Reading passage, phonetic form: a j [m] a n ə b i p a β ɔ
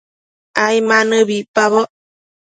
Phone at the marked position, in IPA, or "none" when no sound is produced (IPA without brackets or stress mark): m